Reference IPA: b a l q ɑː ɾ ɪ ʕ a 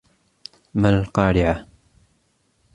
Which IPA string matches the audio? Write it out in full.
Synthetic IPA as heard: m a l q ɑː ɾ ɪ ʕ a